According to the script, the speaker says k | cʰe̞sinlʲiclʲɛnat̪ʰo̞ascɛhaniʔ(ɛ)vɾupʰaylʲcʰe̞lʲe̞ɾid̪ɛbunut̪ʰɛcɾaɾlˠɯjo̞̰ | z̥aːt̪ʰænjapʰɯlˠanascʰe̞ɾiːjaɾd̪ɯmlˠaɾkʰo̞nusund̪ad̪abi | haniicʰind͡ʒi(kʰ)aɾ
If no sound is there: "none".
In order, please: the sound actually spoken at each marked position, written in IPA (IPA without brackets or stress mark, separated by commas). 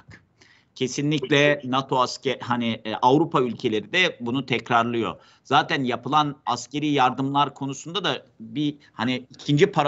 a, pʰ